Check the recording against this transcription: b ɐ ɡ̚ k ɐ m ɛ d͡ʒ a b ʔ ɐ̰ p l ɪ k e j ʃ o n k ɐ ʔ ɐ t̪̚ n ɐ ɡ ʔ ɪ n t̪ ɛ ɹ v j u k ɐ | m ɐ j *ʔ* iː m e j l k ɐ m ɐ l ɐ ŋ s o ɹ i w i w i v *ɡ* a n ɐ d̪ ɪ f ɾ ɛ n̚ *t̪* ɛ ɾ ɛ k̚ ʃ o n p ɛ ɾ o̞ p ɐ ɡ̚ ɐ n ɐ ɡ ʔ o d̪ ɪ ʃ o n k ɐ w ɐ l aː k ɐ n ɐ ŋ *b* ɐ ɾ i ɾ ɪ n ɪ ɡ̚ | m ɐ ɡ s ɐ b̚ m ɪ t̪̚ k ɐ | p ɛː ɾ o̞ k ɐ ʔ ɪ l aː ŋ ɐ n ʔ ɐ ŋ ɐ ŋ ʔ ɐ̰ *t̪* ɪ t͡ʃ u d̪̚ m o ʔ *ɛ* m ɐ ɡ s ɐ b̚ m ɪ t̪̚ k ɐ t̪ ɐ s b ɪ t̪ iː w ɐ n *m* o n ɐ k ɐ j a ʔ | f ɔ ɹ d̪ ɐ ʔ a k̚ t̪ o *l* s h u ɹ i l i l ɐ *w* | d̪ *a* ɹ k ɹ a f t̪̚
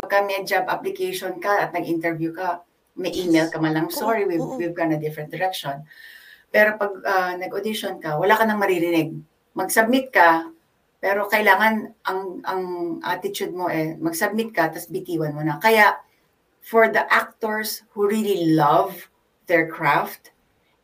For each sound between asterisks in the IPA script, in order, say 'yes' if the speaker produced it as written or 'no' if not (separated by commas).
yes, yes, no, no, yes, yes, yes, no, no, no